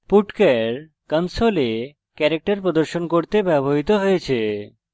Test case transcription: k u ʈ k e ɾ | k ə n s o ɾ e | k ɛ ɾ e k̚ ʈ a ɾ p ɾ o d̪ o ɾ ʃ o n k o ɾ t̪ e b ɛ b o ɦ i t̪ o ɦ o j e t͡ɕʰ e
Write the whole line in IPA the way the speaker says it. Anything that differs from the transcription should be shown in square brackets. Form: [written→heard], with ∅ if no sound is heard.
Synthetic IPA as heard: [k→p] u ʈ k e ɾ | k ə n s o [ɾ→l] e | k ɛ ɾ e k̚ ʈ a ɾ p ɾ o d̪ o ɾ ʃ o n k o ɾ t̪ e b ɛ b o ɦ i t̪ o ɦ o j e t͡ɕʰ e